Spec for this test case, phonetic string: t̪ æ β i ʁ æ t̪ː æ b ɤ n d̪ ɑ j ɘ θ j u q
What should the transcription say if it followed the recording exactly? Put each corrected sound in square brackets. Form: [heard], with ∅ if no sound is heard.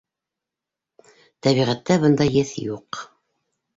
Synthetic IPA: t̪ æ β i ʁ æ t̪ː æ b ɤ n d̪ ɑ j ɘ θ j u q

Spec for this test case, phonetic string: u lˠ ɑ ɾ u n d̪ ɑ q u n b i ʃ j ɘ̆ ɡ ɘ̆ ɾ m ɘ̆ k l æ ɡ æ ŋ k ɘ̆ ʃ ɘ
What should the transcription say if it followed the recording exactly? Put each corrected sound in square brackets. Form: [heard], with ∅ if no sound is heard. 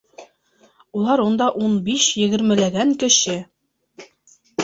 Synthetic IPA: u lˠ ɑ ɾ u n d̪ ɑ [ʔ] u n b i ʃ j ɘ̆ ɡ ɘ̆ ɾ m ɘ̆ [∅] l æ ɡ æ ŋ k ɘ̆ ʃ ɘ

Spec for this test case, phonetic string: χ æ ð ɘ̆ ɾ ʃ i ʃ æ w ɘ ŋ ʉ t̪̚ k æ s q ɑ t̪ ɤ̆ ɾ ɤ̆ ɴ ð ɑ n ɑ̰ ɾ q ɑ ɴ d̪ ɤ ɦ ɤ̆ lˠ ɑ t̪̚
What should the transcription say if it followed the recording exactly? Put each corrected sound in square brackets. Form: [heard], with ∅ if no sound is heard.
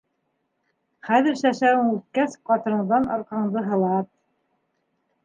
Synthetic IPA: χ æ ð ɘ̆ ɾ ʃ [æ] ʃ æ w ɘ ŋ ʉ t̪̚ k æ s q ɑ t̪ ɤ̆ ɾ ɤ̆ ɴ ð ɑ n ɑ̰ ɾ q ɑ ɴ d̪ ɤ ɦ ɤ̆ lˠ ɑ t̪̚

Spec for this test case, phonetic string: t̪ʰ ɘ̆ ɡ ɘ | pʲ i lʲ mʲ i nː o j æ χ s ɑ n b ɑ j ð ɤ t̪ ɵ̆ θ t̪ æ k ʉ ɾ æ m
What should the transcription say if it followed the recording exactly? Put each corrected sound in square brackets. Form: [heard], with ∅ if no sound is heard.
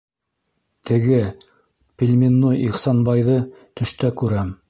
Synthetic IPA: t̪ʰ ɘ̆ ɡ ɘ | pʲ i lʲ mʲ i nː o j [i] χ s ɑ n b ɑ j ð ɤ t̪ ɵ̆ [ʃ] t̪ æ k ʉ ɾ æ m

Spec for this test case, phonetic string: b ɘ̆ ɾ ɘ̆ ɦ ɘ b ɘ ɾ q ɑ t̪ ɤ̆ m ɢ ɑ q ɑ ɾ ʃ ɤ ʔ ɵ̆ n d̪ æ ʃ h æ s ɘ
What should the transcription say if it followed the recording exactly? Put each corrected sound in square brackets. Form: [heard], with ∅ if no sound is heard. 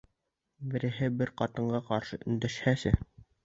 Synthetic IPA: b ɘ̆ ɾ ɘ̆ ɦ ɘ b ɘ ɾ q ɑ t̪ ɤ̆ [ɴ] ɢ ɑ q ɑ ɾ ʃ ɤ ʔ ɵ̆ n d̪ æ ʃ h æ s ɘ

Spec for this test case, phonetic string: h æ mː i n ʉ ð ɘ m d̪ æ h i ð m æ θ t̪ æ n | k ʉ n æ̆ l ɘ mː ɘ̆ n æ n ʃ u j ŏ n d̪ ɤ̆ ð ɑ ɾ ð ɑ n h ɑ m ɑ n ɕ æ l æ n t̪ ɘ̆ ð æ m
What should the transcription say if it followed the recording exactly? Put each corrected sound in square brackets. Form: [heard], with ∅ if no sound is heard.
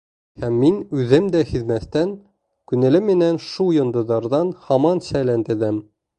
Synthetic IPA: h æ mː i n ʉ ð ɘ m d̪ æ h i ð m æ θ t̪ æ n | k ʉ n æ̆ l ɘ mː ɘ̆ n æ n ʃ u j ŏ n d̪ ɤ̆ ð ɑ ɾ ð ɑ n h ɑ m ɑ n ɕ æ l æ n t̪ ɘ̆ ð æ m

